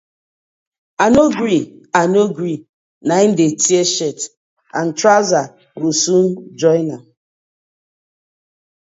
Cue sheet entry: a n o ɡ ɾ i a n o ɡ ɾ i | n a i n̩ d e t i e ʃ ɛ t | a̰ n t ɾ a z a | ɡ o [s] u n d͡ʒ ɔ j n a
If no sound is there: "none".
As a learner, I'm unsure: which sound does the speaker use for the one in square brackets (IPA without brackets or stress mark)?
s